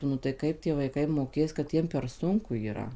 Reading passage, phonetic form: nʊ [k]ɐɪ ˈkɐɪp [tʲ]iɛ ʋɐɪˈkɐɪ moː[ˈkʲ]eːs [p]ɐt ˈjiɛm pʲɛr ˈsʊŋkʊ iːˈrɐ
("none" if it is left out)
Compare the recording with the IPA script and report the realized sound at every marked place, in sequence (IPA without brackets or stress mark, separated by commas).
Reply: t, tʲ, kʲ, k